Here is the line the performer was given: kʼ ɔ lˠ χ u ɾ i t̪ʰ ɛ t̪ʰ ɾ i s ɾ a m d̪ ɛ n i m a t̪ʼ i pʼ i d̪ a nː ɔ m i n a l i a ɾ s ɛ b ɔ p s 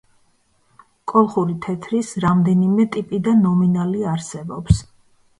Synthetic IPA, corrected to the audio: kʼ ɔ lˠ χ u ɾ i t̪ʰ ɛ t̪ʰ ɾ i s ɾ a m d̪ ɛ n i m ɛ t̪ʼ i pʼ i d̪ a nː ɔ m i n a l i a ɾ s ɛ b ɔ p s